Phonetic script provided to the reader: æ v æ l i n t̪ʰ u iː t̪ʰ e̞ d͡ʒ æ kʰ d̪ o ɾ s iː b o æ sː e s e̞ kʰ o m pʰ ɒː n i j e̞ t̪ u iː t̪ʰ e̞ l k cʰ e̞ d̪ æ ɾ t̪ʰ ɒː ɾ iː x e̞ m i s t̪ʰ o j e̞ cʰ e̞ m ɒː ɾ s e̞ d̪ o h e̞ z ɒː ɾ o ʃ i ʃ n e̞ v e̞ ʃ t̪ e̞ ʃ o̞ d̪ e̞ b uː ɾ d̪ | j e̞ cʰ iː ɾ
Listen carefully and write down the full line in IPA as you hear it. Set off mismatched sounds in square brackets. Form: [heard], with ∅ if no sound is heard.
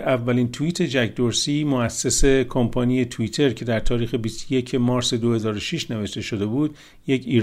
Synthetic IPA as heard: æ [vː] æ l i n t̪ʰ u iː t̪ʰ e̞ d͡ʒ æ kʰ d̪ o ɾ s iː [m] o æ sː e s e̞ kʰ o m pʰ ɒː n i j e̞ [t̪ʰ] u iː t̪ʰ e̞ [ɾ] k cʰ e̞ d̪ æ ɾ t̪ʰ ɒː ɾ iː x e̞ [b] i s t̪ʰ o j e̞ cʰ e̞ m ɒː ɾ s e̞ d̪ o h e̞ z ɒː ɾ o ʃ i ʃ n e̞ v e̞ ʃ t̪ e̞ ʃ o̞ d̪ e̞ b uː [∅] d̪ | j e̞ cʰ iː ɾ